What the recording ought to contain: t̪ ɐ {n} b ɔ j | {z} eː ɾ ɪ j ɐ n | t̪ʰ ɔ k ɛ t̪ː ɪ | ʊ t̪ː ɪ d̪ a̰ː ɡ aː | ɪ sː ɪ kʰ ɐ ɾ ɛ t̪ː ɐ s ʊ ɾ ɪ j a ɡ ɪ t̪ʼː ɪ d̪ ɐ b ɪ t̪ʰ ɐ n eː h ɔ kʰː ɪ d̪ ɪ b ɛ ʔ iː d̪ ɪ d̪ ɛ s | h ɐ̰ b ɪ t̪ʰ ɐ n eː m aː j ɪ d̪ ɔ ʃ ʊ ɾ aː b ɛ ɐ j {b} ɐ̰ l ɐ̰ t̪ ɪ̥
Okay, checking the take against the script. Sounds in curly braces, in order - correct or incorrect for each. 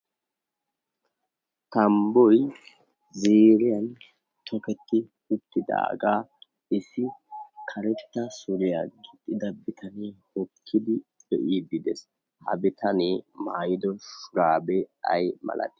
incorrect: m, correct, incorrect: m

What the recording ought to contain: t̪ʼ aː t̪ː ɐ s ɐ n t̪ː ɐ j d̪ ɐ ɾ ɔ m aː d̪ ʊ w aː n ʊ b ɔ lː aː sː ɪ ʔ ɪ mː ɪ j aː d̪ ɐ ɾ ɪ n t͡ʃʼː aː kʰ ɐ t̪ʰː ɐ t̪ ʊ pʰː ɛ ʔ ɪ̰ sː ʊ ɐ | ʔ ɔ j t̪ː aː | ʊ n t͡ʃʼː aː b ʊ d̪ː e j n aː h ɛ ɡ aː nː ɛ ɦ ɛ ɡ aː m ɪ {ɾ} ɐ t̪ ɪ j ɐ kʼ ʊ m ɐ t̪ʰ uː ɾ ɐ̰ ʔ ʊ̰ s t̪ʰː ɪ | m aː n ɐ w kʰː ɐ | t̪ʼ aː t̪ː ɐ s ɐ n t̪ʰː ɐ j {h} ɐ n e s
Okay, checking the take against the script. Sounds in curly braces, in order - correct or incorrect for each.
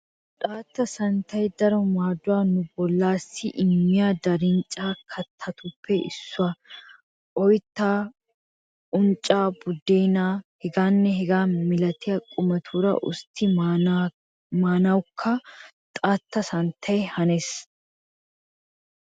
incorrect: l, correct

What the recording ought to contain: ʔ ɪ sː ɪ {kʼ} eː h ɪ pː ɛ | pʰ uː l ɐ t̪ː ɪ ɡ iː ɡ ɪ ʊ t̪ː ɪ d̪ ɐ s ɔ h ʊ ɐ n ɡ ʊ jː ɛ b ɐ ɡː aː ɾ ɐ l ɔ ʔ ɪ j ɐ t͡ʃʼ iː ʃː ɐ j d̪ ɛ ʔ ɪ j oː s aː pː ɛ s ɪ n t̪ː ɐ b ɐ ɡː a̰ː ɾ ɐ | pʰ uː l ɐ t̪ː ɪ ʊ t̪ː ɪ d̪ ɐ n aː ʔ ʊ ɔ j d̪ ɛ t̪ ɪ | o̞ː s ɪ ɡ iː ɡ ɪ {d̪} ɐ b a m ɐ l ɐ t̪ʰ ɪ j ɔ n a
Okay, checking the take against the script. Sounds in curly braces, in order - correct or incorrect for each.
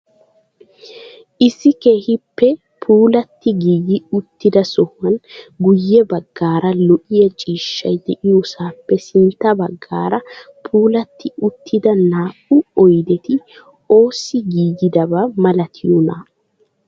incorrect: k, correct

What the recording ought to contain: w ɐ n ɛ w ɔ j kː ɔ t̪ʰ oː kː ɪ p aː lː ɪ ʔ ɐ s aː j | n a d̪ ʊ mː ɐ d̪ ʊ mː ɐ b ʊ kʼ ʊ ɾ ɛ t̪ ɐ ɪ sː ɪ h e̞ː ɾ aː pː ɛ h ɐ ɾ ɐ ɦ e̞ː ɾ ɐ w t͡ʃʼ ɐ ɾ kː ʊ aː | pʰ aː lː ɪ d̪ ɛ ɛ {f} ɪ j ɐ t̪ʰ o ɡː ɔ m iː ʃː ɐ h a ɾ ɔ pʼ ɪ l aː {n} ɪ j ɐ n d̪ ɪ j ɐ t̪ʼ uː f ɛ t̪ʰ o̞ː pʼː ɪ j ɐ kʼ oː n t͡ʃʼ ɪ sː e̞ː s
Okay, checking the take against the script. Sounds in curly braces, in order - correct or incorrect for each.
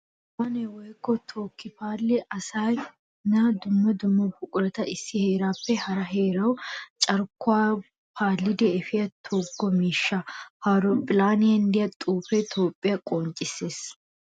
correct, correct

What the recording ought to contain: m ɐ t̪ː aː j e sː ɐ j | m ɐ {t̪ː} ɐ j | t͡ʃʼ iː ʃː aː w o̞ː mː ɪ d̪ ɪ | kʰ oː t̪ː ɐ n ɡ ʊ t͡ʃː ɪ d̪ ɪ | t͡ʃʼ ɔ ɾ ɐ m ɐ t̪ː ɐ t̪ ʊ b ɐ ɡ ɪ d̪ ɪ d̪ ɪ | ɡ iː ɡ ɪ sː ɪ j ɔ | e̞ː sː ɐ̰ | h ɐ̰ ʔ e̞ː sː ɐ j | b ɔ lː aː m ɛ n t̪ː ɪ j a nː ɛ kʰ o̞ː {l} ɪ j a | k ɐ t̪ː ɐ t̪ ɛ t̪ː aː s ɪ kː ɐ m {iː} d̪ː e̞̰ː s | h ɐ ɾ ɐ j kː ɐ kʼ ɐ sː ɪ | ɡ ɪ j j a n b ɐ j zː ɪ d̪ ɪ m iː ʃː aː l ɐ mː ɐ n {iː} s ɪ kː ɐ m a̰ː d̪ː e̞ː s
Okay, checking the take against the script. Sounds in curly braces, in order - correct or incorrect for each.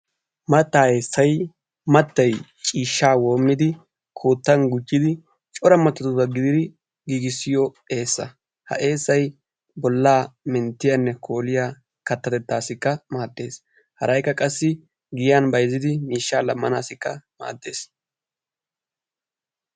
correct, correct, incorrect: aː, incorrect: aː

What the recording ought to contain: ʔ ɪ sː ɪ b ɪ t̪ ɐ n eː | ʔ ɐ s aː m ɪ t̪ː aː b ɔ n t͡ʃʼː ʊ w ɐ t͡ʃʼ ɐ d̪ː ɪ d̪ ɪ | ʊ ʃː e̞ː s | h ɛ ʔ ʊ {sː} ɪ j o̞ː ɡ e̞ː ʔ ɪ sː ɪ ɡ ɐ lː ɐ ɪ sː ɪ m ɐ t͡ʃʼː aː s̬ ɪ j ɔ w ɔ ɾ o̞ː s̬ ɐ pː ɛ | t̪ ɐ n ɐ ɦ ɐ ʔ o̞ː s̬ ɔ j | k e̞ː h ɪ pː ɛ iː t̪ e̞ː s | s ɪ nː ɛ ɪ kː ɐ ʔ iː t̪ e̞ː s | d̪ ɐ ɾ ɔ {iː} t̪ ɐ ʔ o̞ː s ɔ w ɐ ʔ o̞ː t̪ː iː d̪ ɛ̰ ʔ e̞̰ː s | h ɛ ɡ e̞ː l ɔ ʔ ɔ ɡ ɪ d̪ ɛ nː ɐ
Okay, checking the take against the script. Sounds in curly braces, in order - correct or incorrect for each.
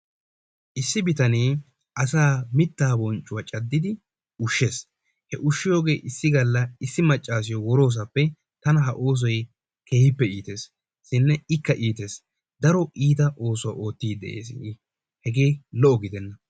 incorrect: ʃː, correct

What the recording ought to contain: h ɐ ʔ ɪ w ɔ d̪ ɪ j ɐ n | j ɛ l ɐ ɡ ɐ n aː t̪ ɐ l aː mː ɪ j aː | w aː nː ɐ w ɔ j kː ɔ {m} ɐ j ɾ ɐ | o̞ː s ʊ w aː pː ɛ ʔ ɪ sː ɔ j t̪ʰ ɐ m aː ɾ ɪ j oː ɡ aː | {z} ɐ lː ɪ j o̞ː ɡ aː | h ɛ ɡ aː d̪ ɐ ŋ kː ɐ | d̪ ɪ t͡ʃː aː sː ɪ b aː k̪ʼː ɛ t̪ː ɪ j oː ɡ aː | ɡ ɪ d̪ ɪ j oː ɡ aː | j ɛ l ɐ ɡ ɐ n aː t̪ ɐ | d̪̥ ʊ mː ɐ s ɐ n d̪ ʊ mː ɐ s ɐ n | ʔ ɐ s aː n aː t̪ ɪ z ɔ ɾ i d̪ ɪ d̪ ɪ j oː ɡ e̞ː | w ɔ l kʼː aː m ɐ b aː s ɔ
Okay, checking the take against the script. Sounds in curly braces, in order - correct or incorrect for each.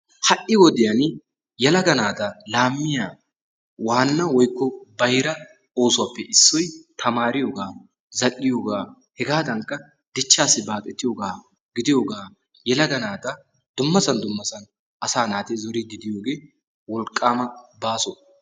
incorrect: b, correct

